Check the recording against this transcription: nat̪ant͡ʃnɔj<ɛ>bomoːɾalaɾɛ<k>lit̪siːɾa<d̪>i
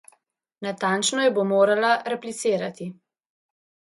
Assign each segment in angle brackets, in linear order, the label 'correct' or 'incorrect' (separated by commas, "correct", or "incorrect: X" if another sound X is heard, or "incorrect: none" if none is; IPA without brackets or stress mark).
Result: correct, incorrect: p, incorrect: t̪